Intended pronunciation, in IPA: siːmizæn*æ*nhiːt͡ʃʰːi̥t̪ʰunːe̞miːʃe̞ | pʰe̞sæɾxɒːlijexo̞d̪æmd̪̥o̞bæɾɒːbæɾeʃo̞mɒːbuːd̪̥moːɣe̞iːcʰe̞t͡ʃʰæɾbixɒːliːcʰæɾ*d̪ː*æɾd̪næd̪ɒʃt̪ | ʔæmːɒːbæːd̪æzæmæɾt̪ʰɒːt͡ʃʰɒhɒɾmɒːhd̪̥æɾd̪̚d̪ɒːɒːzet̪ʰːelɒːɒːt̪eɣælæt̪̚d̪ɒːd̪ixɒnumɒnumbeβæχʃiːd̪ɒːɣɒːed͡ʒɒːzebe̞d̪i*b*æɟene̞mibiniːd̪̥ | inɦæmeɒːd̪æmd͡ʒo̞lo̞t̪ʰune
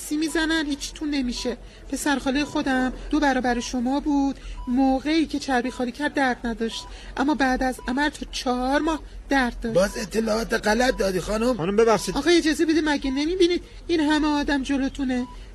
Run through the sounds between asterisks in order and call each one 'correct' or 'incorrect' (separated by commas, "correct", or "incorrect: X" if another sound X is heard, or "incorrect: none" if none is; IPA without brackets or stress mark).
correct, correct, incorrect: m